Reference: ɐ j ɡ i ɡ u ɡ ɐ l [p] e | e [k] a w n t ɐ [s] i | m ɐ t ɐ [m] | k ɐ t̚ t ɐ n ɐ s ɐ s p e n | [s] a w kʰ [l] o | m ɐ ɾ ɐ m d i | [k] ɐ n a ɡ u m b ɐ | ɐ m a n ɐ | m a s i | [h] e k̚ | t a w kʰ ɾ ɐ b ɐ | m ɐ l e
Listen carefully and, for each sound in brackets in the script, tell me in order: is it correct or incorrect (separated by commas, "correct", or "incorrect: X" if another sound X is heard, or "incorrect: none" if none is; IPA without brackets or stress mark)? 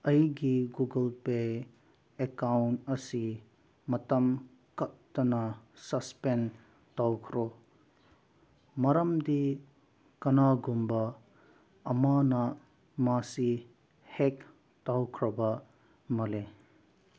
correct, correct, correct, correct, incorrect: t, incorrect: ɾ, correct, correct